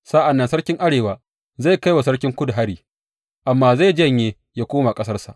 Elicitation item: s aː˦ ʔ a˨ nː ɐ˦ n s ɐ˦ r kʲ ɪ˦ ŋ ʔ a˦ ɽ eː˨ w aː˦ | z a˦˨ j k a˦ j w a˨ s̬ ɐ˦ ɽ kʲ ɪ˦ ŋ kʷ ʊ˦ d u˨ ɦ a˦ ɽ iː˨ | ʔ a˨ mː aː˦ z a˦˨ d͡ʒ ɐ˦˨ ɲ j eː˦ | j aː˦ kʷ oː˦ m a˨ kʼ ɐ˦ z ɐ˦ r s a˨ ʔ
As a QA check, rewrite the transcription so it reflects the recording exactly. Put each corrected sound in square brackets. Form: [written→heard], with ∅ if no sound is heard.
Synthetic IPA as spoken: s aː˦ ʔ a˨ nː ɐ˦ n s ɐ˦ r kʲ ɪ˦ ŋ ʔ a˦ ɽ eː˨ w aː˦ | z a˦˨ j k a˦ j w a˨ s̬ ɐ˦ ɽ kʲ ɪ˦ ŋ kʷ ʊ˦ d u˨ ɦ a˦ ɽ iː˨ | ʔ a˨ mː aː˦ z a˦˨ d͡ʒ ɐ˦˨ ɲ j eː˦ | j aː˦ kʷ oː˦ m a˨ kʼ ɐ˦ [z→s] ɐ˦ r s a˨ ʔ